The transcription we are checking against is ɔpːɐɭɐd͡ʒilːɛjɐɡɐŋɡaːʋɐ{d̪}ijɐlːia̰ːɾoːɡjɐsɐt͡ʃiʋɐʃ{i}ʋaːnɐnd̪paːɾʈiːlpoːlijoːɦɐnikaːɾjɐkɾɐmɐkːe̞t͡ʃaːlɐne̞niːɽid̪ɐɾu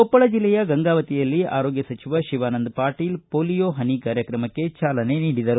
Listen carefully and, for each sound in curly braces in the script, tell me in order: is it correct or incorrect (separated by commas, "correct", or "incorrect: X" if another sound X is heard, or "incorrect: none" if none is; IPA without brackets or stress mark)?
incorrect: t̪, correct